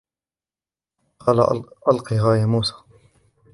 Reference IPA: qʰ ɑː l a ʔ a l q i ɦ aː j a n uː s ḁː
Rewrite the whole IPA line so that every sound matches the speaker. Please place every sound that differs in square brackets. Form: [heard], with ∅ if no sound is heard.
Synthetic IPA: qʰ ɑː l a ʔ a l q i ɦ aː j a [m] uː s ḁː